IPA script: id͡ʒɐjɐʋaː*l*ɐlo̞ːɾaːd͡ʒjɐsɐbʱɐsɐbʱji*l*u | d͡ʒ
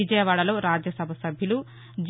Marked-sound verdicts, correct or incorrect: incorrect: ɽ, correct

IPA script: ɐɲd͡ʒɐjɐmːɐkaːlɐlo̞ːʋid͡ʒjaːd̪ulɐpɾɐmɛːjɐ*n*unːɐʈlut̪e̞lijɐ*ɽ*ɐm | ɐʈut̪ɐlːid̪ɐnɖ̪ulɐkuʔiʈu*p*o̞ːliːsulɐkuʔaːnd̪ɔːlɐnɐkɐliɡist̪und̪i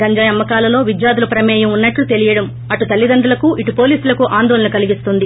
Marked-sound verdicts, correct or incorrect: incorrect: m, correct, correct

